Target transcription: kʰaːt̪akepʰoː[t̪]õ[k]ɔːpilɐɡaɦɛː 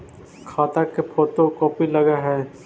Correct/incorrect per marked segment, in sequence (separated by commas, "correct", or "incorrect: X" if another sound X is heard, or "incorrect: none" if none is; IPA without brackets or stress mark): correct, correct